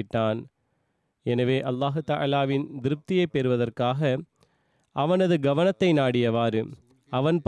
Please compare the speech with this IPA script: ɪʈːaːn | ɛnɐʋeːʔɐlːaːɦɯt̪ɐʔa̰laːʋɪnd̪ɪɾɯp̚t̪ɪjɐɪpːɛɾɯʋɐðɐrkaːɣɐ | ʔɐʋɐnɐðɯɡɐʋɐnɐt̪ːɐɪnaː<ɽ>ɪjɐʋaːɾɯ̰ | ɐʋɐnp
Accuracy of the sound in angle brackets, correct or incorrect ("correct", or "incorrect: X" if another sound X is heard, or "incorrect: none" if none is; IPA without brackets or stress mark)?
correct